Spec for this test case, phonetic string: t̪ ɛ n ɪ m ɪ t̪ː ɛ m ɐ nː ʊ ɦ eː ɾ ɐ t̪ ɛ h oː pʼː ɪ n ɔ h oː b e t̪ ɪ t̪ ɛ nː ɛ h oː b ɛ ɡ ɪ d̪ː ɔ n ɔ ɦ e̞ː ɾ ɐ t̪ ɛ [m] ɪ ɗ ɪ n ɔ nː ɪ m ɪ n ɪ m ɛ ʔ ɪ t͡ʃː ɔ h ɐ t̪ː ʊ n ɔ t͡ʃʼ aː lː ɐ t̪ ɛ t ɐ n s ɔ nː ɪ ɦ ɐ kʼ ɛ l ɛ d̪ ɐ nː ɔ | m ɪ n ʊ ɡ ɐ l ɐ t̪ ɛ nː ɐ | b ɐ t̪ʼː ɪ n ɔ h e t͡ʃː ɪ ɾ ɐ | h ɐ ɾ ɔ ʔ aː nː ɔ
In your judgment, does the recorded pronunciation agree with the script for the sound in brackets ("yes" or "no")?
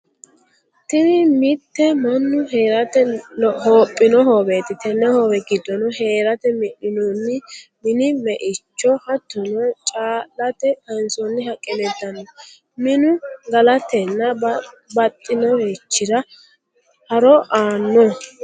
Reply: yes